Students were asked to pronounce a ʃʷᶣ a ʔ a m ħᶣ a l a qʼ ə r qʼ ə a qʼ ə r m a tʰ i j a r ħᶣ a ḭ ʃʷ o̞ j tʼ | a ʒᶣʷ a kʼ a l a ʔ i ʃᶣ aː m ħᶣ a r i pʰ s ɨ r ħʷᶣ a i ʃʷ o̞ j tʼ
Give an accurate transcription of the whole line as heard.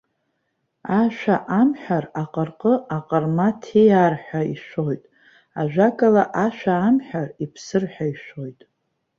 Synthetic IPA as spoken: a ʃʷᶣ a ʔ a m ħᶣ a r a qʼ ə r qʼ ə a qʼ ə r m a tʰ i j a r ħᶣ a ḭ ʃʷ o̞ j tʼ | a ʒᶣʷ a kʼ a l a ʔ a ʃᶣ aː m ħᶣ a r i pʰ s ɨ r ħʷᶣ a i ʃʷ o̞ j tʼ